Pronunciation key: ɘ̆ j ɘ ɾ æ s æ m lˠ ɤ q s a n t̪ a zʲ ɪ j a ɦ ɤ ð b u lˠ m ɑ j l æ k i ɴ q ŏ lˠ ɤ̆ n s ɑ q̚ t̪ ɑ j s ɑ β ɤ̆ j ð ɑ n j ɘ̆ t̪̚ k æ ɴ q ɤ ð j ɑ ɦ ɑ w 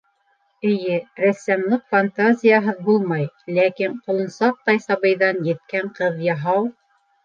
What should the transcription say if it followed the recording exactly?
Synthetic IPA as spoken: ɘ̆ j ɘ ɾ æ s æ m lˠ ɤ q f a n t̪ a zʲ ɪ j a ɦ ɤ ð b u lˠ m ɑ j l æ k i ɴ q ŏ lˠ ɤ̆ n s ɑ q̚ t̪ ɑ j s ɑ β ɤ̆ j ð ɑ n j ɘ̆ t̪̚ k æ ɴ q ɤ ð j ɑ ɦ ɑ w